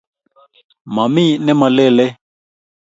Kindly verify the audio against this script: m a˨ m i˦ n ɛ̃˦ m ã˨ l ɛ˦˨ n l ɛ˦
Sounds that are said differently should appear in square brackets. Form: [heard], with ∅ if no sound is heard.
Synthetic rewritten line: m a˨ m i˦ n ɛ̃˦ m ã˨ l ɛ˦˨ [∅] l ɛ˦